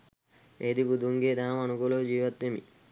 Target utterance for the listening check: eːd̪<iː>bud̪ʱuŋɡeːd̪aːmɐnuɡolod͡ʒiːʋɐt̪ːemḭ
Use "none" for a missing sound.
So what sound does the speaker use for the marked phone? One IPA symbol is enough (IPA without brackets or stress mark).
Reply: i